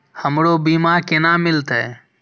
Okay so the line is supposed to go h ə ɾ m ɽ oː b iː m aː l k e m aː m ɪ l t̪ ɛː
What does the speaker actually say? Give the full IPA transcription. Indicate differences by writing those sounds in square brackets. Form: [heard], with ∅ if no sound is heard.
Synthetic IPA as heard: h ə [∅] m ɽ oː b iː m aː [ɾ] k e [n] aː m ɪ l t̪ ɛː